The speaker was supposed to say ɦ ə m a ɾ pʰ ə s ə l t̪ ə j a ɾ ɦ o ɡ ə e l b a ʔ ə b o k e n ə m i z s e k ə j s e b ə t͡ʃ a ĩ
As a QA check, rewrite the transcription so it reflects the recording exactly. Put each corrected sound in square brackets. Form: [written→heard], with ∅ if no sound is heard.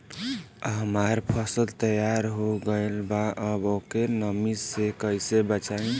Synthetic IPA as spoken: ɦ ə m a ɾ pʰ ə s ə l t̪ ə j a ɾ ɦ o ɡ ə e l b a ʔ ə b o k e n ə m i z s e k ə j s e b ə t͡ʃ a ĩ